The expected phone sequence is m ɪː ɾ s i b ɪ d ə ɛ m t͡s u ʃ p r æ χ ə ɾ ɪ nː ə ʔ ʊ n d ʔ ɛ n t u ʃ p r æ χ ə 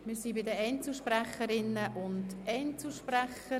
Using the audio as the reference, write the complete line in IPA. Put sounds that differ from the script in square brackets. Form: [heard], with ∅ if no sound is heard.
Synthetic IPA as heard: m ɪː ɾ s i b ɪ d ə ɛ [n] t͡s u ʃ p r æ χ ə ɾ ɪ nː ə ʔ ʊ n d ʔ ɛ n [t͡s] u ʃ p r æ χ ə